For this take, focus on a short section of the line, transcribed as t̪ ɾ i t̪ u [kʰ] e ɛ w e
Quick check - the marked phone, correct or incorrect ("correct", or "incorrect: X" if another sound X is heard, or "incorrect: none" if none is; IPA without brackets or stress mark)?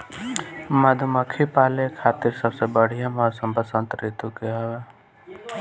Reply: incorrect: k